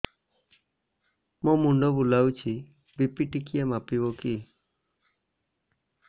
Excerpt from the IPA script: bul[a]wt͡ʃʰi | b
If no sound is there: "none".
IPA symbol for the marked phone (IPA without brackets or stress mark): a